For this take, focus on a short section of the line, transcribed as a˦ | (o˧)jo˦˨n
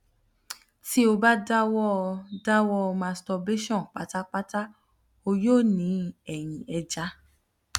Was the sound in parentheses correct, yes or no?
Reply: yes